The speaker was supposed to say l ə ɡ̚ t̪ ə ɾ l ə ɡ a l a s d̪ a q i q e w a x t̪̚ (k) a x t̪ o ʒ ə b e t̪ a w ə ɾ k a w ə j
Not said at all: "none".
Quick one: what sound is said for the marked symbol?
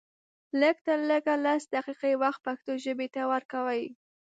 p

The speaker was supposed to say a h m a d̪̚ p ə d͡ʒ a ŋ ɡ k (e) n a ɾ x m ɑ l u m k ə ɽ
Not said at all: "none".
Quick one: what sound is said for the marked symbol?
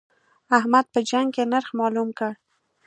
e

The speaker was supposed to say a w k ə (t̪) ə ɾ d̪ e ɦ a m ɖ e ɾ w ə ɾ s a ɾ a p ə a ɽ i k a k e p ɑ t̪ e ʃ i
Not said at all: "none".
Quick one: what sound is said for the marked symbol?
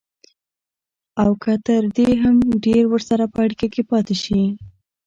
t̪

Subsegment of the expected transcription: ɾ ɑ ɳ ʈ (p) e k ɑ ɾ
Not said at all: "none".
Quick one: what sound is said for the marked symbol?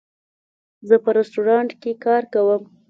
k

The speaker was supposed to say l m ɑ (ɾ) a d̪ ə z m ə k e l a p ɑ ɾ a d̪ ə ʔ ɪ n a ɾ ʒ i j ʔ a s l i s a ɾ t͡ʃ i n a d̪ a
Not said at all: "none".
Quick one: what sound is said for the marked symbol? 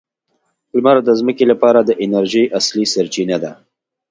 ɾ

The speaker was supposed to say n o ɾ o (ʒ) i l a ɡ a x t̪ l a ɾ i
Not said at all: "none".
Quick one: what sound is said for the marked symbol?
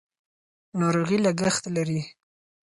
ɣ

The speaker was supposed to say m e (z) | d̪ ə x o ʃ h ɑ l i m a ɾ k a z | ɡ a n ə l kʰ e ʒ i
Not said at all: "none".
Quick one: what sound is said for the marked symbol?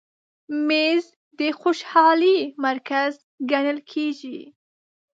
z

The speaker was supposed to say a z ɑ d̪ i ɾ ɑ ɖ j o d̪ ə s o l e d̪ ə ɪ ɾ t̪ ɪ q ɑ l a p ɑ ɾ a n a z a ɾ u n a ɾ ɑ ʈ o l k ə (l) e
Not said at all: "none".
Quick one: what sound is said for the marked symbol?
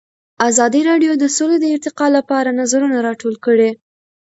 ɽ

